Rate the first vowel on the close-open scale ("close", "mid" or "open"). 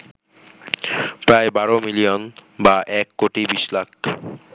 open